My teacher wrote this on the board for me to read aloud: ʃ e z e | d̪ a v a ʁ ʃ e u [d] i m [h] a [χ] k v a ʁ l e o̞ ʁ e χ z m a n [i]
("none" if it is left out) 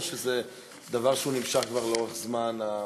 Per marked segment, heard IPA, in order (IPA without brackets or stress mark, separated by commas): n, ʃ, χ, a